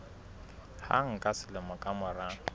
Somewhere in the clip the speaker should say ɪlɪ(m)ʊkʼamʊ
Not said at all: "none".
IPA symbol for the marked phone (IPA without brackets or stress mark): m